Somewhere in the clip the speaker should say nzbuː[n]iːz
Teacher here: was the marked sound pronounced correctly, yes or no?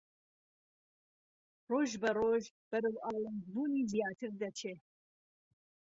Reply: yes